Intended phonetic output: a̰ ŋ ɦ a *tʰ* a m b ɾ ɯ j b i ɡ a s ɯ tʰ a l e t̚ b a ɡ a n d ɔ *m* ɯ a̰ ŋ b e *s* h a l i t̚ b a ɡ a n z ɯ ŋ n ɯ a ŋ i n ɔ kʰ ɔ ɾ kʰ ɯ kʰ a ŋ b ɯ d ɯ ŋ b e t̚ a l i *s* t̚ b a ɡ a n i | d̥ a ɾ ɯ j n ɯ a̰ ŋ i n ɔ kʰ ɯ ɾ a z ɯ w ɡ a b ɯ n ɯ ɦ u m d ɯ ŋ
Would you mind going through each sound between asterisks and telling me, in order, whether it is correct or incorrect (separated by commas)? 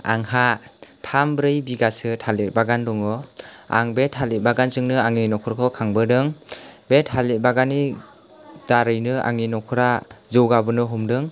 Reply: correct, incorrect, incorrect, incorrect